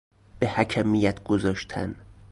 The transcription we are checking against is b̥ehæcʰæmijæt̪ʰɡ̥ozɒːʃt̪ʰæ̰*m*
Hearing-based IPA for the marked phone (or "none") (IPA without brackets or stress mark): n